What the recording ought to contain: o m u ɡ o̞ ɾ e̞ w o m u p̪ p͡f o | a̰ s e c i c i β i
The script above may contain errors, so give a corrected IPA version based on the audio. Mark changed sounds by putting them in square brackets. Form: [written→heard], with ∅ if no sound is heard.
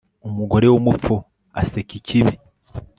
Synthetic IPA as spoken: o m u ɡ o̞ ɾ e̞ w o m u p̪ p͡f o | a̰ s e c i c i β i